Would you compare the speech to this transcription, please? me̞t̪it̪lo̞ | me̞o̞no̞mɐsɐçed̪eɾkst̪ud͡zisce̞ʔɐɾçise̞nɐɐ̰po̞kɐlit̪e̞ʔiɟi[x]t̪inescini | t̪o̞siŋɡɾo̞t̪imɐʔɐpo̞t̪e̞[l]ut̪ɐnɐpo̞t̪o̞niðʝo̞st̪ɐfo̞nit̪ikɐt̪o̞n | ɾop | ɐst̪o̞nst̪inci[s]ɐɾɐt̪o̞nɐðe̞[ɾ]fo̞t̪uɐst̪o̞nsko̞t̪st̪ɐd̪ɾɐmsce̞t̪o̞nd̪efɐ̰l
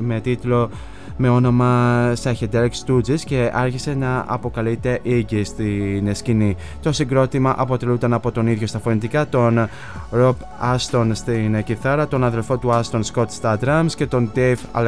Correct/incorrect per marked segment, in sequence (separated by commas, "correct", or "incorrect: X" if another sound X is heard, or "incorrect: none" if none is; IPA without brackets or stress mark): incorrect: s, correct, incorrect: θ, incorrect: l